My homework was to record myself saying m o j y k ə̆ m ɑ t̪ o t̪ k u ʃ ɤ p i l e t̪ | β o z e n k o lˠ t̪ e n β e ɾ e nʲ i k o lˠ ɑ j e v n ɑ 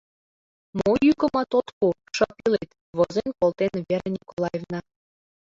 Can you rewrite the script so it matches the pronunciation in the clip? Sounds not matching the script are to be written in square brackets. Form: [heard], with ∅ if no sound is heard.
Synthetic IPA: m o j y k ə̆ m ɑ t̪ o t̪ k u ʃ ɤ p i l e t̪ | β o z e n k o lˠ t̪ e n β e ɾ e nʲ i k o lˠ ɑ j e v n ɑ